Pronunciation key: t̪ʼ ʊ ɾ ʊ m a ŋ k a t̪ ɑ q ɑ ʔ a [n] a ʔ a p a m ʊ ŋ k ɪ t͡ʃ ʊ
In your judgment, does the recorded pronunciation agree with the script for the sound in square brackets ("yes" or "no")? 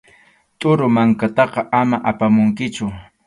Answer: no